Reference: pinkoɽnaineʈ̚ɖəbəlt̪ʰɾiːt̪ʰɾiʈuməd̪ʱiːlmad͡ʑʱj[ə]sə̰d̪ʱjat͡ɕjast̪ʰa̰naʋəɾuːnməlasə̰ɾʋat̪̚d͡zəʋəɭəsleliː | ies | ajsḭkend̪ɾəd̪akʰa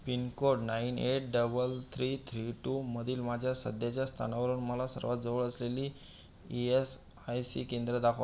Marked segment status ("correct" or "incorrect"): incorrect